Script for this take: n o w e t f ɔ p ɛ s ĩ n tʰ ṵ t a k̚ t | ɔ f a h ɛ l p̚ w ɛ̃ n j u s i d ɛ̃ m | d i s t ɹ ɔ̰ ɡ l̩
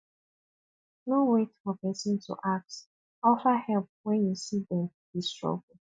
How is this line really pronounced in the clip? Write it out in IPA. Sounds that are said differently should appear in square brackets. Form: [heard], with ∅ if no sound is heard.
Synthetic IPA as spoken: n o w e t f ɔ p ɛ s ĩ n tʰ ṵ [ʔ] a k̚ t | ɔ f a h ɛ l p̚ w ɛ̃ n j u s i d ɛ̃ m | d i s t ɹ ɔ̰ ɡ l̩

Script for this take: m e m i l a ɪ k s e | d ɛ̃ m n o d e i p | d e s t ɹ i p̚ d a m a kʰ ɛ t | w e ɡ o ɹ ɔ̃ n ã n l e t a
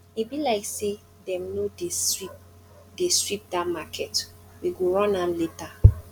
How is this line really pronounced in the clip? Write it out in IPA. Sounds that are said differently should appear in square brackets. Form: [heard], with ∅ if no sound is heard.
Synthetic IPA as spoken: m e [b] i l a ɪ k s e | d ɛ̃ m n o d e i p | d e s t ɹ i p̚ d a m a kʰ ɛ t | w [i] ɡ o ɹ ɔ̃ n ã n l e t a

